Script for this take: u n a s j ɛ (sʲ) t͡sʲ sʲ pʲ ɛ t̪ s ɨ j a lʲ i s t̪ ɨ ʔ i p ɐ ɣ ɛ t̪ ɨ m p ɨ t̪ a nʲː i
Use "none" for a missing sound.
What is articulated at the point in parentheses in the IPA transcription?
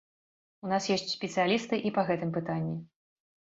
sʲ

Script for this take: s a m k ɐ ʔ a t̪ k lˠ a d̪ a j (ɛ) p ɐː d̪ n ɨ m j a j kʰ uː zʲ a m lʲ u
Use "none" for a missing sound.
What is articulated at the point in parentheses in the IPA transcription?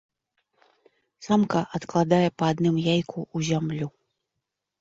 ɛ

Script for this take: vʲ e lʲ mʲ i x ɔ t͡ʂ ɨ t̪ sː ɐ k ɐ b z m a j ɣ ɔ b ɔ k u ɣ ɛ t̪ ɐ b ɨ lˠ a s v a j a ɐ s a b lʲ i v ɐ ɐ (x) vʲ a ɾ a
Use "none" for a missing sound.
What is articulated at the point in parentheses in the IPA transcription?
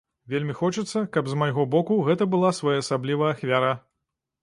x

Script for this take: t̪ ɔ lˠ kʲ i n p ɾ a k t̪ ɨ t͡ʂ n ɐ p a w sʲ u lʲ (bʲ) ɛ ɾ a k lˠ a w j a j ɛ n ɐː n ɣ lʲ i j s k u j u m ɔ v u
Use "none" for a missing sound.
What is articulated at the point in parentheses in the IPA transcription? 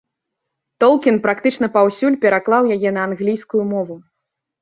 pʲ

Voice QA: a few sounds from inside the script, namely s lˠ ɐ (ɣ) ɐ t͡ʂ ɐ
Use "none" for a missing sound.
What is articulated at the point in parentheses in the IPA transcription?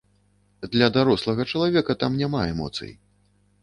ɣ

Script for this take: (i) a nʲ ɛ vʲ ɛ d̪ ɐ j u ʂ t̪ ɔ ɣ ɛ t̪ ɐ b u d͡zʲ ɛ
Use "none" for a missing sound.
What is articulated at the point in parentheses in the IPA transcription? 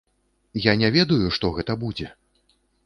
j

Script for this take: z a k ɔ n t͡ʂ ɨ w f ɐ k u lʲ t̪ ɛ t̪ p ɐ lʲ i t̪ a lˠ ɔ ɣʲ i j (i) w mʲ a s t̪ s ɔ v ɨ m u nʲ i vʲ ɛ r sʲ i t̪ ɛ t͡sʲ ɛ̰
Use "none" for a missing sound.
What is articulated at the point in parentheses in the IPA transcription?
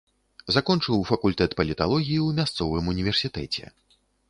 i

